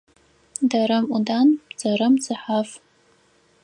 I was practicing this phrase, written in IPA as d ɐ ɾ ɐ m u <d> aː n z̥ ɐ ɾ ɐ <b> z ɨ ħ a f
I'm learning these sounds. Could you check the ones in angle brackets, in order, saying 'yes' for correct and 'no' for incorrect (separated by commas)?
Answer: yes, no